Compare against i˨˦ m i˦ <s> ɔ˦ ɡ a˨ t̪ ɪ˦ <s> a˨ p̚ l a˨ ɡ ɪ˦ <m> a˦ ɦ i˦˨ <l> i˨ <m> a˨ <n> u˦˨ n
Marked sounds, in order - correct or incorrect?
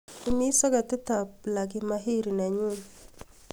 correct, incorrect, correct, incorrect, incorrect, incorrect

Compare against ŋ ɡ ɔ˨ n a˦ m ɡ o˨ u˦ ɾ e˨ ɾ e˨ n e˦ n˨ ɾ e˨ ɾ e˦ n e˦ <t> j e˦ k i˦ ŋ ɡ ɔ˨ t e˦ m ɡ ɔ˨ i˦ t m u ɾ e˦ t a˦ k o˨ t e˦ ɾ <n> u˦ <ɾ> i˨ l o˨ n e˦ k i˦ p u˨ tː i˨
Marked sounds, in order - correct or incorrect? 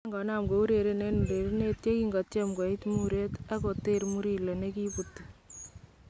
correct, incorrect, correct

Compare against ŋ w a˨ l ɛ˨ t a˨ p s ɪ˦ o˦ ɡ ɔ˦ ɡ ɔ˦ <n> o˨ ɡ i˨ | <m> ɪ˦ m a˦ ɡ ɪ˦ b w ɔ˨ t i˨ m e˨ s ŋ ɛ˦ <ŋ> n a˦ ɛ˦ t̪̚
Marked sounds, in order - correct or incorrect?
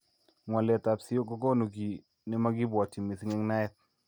correct, incorrect, correct

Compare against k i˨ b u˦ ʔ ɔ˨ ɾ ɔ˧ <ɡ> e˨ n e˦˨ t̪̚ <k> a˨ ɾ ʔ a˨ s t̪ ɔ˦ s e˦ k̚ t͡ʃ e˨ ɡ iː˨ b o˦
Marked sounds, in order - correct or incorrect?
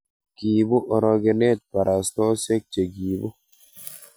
correct, incorrect

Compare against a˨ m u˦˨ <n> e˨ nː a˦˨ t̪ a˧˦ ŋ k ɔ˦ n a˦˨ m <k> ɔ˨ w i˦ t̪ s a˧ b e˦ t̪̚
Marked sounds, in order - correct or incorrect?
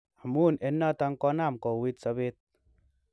correct, correct

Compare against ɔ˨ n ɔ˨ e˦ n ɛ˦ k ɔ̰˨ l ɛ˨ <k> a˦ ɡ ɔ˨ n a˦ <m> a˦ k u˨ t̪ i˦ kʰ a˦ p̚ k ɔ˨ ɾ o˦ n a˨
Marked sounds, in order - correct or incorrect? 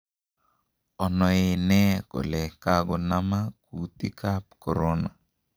correct, correct

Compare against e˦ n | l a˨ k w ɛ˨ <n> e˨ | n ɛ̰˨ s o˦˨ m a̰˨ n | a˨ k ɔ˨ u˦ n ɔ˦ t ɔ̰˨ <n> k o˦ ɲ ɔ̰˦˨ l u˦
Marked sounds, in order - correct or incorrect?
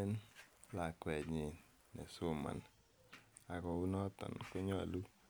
incorrect, correct

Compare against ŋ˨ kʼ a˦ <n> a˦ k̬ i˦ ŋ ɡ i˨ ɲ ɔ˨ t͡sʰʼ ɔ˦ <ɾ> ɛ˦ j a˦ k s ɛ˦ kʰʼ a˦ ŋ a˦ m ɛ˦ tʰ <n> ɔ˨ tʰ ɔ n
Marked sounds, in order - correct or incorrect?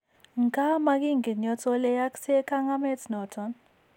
incorrect, incorrect, correct

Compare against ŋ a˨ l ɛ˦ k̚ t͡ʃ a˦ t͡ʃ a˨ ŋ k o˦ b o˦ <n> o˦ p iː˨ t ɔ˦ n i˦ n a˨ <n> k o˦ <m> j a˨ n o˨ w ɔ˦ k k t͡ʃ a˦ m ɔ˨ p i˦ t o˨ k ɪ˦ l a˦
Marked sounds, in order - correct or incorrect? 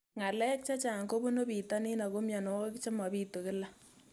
correct, incorrect, correct

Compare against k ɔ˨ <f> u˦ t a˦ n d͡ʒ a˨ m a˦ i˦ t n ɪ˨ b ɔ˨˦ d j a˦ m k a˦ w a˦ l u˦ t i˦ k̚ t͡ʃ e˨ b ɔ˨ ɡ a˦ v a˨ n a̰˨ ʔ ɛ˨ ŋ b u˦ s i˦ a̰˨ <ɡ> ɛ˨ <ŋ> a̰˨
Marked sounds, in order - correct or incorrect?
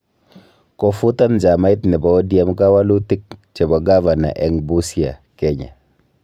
correct, incorrect, incorrect

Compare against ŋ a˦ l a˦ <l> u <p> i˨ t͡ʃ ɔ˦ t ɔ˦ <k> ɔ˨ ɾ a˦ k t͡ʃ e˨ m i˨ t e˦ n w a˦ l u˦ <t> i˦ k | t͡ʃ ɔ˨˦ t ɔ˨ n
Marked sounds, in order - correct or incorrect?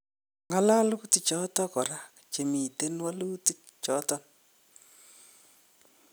correct, incorrect, correct, correct

